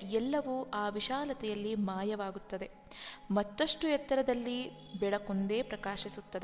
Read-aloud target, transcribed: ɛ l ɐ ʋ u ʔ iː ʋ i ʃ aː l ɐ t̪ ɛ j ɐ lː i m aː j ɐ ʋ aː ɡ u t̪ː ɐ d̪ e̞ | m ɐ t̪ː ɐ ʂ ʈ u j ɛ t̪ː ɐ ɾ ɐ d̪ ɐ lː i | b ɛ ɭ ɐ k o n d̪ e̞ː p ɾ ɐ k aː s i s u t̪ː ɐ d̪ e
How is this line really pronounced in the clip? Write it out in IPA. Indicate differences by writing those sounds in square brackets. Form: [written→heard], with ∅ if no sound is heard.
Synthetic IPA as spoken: ɛ [l→lː] ɐ ʋ u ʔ [iː→aː] ʋ i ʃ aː l ɐ t̪ ɛ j ɐ lː i m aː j ɐ ʋ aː ɡ u t̪ː ɐ d̪ e̞ | m ɐ t̪ː ɐ ʂ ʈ u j ɛ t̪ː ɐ ɾ ɐ d̪ ɐ lː i | b ɛ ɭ ɐ k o n d̪ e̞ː p ɾ ɐ k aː [s→ʃ] i s u t̪ː ɐ d̪ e